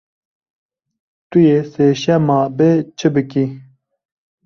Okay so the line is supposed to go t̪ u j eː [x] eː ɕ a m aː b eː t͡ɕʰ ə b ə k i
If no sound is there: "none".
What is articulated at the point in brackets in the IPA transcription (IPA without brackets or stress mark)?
s